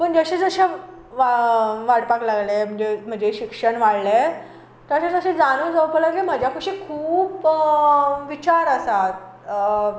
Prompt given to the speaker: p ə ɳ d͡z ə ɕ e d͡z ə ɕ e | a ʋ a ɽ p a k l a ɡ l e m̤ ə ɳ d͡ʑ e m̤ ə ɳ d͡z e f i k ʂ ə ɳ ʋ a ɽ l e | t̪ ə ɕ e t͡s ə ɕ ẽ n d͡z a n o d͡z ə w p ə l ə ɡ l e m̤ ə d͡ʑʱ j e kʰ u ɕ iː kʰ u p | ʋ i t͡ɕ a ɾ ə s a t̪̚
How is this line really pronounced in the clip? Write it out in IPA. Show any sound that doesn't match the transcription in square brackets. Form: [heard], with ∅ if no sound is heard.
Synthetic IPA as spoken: p ə ɳ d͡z ə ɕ e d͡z ə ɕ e | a ʋ a ɽ p a k l a ɡ l e m̤ ə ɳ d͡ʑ e m̤ ə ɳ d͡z e [ɕ] i k ʂ ə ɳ ʋ a ɽ l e | t̪ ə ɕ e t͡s ə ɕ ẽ [∅] d͡z a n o d͡z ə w p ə l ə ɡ l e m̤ ə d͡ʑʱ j [a] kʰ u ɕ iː kʰ [uː] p | ʋ i t͡ɕ a ɾ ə s a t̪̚

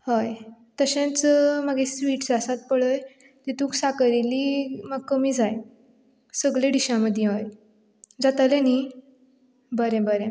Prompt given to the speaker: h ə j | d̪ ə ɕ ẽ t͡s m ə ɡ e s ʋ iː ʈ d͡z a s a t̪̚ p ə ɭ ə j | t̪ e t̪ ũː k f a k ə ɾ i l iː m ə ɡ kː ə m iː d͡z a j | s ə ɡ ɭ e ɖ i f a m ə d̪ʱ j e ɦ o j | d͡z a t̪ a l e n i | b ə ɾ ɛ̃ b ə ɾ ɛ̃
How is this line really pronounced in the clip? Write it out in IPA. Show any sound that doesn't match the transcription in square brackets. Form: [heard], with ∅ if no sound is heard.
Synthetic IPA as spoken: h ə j | [t̪] ə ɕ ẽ t͡s m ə ɡ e s ʋ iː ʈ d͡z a s a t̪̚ p ə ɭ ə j | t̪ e t̪ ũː k [s] a k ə ɾ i l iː m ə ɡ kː ə m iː d͡z a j | s ə ɡ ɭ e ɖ i [ɕ] a m ə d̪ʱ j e ɦ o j | d͡z a t̪ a l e n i | b ə ɾ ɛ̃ b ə ɾ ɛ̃

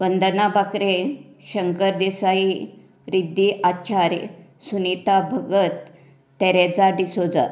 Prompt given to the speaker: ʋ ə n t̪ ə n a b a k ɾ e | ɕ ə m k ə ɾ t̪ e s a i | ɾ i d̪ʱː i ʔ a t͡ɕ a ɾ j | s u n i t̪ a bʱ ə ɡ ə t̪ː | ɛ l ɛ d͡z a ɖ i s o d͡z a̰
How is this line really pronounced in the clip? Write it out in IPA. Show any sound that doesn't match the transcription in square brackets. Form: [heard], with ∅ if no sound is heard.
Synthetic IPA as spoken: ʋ ə n [d̪] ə n a b a k ɾ e | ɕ ə [ŋ] k ə ɾ [d̪] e s a i | ɾ i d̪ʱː i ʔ a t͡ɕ a ɾ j | s u n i t̪ a bʱ ə ɡ ə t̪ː | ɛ [ɾ] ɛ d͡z a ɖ i s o d͡z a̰

